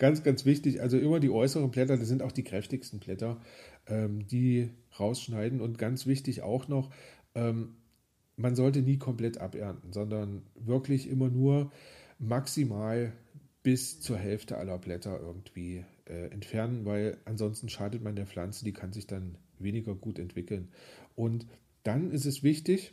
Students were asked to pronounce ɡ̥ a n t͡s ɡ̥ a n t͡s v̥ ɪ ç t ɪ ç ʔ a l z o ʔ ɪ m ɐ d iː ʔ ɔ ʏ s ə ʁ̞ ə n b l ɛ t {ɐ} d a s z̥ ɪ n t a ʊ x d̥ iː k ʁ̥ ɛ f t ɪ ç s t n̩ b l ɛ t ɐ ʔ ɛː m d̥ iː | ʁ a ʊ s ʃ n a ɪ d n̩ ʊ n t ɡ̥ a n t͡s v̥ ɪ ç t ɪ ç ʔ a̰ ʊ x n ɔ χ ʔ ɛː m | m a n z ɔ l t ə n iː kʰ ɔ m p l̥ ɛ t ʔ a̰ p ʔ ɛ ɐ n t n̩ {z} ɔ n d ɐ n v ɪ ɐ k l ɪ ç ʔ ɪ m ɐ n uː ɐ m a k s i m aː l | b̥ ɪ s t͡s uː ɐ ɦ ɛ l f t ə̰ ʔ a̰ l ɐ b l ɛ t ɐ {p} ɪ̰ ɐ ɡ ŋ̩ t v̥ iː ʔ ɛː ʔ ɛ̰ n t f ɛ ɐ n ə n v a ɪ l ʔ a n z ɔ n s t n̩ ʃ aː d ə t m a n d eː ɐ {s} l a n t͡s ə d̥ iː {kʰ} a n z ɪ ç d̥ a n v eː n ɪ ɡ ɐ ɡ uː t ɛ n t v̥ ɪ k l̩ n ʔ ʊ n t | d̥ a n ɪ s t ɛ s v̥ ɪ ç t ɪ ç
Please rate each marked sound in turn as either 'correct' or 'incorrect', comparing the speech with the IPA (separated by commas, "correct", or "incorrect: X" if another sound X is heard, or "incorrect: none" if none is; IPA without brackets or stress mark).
correct, correct, incorrect: ʔ, incorrect: f, correct